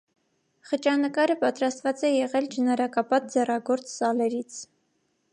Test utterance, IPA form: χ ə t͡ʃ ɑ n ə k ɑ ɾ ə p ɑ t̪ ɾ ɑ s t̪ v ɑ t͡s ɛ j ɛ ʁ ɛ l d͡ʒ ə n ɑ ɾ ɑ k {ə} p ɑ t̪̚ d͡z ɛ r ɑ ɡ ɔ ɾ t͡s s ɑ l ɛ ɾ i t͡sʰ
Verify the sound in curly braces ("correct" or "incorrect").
incorrect